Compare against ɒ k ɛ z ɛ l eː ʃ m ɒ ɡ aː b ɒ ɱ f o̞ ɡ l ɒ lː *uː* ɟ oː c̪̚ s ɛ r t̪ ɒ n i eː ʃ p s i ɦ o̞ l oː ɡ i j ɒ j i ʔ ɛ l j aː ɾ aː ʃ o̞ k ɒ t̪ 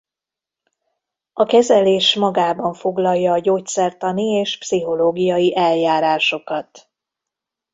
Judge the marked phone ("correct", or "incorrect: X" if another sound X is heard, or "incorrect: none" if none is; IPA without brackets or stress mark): incorrect: ɒː